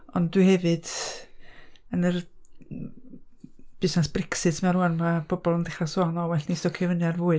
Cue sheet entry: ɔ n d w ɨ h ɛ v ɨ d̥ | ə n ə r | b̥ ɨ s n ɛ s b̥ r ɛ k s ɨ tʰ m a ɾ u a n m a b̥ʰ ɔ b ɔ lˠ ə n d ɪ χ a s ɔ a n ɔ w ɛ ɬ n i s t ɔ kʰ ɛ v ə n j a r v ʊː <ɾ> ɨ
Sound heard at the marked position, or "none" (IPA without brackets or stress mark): none